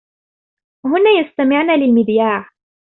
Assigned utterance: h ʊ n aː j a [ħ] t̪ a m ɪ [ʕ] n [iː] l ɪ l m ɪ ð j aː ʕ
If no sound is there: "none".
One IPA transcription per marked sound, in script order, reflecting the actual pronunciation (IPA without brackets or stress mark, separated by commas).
s, ʕ, aː